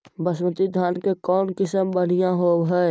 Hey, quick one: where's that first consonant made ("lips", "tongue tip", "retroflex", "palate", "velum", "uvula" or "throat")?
lips